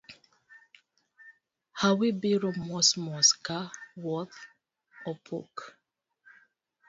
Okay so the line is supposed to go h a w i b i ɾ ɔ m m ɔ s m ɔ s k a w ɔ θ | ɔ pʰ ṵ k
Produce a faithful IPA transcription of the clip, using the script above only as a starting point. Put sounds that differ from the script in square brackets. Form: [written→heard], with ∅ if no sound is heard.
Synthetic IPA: h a w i b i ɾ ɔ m m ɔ s m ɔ s k a w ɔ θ | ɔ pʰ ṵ k